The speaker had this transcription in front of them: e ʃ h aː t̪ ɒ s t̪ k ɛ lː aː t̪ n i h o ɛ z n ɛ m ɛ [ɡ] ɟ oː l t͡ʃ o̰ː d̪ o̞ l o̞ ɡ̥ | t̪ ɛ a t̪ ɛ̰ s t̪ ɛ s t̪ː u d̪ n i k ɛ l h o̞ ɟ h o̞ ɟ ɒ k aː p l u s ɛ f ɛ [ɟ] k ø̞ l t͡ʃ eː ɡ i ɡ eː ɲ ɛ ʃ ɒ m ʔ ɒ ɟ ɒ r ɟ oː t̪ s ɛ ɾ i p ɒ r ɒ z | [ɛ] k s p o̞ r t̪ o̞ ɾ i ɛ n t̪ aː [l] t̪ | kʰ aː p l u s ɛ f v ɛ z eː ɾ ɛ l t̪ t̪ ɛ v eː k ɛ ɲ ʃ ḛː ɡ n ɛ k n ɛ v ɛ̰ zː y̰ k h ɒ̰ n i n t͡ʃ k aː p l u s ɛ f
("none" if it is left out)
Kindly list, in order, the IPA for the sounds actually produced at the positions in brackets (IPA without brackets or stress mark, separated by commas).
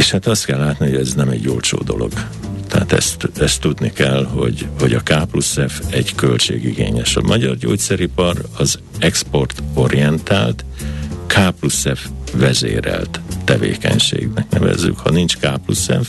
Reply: ɟ, ɟ, ɛ, l